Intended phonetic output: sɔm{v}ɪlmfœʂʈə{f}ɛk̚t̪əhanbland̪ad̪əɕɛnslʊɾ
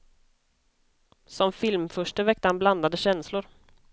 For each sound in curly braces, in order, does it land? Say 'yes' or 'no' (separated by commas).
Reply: no, no